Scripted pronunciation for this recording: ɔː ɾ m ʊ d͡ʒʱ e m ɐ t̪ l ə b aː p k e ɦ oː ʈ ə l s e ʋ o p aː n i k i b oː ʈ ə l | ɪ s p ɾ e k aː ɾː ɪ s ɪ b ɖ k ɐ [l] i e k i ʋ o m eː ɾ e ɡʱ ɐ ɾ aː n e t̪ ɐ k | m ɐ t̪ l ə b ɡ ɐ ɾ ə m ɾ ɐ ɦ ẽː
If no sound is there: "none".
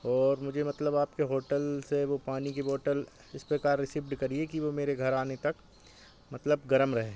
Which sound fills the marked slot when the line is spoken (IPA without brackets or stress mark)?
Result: ɾ